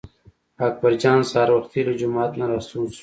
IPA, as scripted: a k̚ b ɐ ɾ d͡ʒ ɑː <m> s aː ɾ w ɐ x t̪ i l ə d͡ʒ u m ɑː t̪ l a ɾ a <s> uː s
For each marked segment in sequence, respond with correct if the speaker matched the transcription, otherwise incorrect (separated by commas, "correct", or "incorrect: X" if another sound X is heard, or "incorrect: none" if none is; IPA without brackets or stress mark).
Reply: incorrect: n, correct